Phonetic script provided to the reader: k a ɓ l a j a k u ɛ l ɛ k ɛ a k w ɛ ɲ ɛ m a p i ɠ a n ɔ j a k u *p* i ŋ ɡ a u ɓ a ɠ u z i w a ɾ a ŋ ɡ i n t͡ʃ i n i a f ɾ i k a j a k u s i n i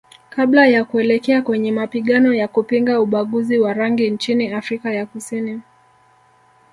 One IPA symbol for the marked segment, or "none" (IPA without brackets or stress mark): p